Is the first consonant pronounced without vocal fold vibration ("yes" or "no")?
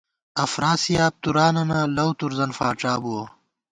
yes